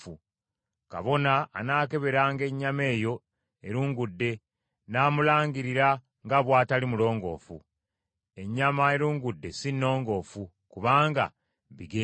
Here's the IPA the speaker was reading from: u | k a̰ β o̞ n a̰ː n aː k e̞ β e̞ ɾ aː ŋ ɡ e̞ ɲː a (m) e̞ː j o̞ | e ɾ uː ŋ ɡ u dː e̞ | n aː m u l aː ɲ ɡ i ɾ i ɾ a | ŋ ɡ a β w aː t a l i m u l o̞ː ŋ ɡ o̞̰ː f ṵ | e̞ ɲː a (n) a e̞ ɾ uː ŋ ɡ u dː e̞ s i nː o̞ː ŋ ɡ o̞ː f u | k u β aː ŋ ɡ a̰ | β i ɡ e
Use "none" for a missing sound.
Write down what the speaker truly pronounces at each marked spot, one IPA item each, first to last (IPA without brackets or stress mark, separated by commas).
m, m